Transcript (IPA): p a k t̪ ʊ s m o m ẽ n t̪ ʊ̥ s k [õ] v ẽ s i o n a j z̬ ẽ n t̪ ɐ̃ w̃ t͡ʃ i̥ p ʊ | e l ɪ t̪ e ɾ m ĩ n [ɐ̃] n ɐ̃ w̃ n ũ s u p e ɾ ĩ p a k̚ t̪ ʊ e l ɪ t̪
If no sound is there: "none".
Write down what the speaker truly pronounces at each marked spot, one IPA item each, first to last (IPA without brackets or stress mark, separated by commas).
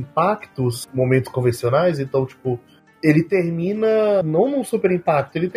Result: õ, ɐ